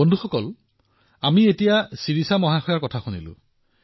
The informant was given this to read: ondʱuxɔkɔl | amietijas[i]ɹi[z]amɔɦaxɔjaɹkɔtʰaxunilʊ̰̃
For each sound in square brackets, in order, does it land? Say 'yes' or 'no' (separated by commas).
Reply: yes, no